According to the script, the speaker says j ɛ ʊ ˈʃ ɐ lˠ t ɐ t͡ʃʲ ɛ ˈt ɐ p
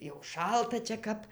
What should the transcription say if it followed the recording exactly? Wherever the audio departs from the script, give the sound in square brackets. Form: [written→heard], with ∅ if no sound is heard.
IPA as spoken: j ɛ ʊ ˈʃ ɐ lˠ t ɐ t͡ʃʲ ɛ [ˈt→ˈk] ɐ p